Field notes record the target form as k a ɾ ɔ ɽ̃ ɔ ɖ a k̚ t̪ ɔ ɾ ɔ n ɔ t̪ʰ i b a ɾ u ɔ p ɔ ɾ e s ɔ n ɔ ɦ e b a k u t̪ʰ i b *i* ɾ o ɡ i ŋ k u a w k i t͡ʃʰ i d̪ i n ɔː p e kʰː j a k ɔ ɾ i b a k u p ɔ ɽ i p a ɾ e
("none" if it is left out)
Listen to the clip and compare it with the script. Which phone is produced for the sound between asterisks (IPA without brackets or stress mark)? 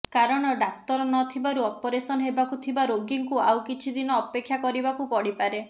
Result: a